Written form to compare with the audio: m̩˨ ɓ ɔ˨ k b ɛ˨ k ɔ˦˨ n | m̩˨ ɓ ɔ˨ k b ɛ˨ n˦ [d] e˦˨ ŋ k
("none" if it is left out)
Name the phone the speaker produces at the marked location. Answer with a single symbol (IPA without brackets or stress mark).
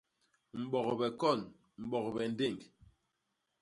d